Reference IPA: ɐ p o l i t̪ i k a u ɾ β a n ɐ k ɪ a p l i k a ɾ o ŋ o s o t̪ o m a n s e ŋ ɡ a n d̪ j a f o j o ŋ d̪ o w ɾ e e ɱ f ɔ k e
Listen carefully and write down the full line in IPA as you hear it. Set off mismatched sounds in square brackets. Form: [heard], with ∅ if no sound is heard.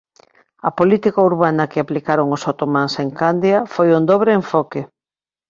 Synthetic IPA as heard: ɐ p o l i t̪ i k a u ɾ β a n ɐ k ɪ a p l i k a ɾ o ŋ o s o t̪ o m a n s e ŋ [k] a n d̪ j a f o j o [n] d̪ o [β] ɾ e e ɱ f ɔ k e